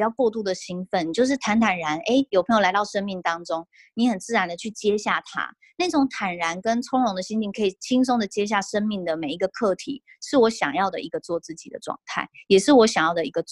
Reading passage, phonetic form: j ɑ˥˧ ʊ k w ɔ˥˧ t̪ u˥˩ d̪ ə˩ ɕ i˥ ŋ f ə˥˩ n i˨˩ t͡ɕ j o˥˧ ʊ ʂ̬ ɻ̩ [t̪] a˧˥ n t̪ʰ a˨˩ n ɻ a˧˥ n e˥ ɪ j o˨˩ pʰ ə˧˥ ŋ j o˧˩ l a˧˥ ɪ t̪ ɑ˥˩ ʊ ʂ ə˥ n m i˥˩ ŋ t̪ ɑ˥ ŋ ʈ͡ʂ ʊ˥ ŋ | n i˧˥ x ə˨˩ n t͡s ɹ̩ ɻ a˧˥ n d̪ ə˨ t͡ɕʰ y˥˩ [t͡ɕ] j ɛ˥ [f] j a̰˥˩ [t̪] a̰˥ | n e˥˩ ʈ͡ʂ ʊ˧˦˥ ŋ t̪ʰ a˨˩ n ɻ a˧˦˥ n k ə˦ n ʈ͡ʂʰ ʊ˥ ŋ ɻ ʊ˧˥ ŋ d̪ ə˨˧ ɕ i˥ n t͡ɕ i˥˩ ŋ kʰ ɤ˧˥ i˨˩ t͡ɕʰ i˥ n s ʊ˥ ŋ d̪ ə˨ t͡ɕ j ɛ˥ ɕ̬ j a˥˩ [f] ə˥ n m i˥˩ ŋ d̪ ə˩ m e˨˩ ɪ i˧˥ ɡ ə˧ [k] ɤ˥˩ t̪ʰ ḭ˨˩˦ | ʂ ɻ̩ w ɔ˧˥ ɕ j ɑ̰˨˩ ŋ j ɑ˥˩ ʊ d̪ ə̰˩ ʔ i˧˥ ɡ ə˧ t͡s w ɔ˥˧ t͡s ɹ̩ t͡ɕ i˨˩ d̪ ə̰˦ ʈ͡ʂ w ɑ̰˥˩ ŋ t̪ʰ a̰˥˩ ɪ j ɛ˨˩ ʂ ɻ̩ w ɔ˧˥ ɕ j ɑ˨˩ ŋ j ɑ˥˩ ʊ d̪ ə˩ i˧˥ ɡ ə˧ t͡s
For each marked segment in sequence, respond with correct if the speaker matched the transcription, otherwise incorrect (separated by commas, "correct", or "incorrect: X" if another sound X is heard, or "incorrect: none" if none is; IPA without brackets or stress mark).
incorrect: t̪ʰ, correct, incorrect: ɕ, incorrect: t̪ʰ, incorrect: ʂ, incorrect: kʰ